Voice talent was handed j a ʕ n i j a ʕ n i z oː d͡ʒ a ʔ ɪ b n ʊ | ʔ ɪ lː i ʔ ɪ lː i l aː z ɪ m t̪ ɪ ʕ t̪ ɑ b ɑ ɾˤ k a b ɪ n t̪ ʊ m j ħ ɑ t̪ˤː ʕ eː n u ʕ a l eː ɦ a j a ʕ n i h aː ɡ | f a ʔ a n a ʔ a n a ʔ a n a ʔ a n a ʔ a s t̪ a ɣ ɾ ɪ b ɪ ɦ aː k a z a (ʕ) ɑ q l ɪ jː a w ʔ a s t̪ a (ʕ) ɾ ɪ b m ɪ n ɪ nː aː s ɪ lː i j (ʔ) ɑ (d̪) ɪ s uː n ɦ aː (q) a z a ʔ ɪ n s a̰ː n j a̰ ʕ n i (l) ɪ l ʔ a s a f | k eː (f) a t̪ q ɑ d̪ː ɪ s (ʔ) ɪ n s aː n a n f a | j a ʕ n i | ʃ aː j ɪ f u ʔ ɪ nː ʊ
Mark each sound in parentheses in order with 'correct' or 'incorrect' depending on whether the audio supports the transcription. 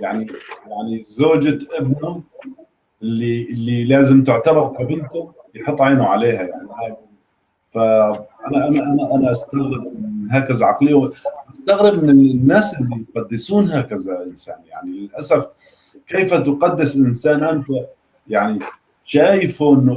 correct, incorrect: ɣ, incorrect: q, incorrect: d̪ː, incorrect: k, correct, correct, correct

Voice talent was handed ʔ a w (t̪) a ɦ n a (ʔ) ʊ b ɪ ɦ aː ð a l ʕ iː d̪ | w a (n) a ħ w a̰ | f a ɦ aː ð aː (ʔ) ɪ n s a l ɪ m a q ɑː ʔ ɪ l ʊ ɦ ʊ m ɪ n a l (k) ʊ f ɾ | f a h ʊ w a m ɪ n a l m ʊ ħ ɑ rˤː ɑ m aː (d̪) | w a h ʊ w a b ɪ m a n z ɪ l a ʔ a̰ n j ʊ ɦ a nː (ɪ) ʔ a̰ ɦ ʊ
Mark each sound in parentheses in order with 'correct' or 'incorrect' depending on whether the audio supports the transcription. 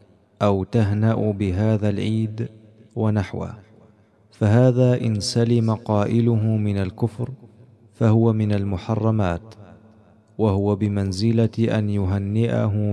correct, correct, correct, correct, correct, incorrect: t̪, correct

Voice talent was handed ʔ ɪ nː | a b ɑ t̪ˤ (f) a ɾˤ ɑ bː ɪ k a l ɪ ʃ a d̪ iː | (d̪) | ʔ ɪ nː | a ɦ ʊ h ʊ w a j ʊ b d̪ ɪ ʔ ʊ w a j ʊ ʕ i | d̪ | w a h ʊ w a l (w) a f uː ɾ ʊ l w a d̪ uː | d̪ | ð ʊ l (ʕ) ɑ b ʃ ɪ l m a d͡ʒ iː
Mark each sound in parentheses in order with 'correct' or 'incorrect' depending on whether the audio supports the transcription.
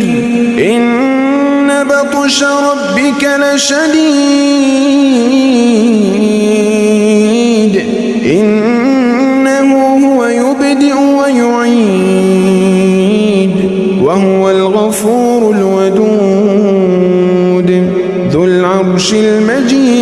incorrect: ʃ, correct, incorrect: ɣ, correct

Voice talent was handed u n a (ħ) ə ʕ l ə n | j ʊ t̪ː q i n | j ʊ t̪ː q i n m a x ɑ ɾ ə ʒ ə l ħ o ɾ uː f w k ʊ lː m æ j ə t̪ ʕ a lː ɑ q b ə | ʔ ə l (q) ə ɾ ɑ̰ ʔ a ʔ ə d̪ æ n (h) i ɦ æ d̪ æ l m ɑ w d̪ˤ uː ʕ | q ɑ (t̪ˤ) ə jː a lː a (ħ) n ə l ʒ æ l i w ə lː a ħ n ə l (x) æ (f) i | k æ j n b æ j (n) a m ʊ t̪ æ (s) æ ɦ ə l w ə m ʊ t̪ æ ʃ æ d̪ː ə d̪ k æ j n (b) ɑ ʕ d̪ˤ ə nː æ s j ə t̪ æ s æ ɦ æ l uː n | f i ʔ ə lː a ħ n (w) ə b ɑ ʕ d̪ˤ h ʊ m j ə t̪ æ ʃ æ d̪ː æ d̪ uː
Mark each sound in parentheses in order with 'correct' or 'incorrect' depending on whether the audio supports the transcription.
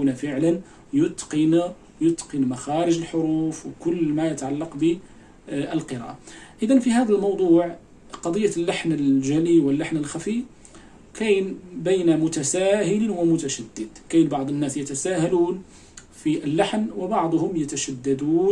incorrect: f, correct, incorrect: f, incorrect: d̪ˤ, correct, correct, correct, correct, correct, correct, correct

